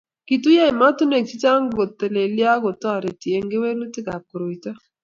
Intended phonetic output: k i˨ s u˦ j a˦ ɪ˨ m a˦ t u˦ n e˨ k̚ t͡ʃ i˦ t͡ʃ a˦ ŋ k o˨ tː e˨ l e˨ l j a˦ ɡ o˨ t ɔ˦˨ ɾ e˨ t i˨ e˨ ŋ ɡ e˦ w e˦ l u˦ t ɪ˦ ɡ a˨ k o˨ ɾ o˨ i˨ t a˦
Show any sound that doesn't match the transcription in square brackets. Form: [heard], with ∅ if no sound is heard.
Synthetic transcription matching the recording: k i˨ [t] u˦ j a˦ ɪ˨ m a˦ t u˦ n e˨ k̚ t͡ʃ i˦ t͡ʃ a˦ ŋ [ɡ] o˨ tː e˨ l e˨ l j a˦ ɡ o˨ t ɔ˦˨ ɾ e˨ t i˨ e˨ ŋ ɡ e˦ w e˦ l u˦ t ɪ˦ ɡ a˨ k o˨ ɾ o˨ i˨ t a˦